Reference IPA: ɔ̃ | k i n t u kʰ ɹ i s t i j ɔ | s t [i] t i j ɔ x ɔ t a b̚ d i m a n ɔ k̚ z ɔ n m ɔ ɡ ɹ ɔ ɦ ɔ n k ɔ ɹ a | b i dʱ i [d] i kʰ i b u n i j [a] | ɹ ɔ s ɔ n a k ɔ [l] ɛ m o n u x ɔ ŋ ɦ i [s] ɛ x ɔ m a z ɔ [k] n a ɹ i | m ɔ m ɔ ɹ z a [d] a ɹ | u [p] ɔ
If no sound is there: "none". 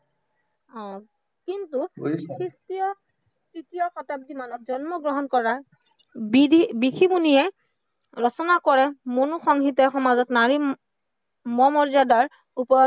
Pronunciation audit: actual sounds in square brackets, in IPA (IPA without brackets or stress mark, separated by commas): i, b, ɛ, ɹ, t, t, d, p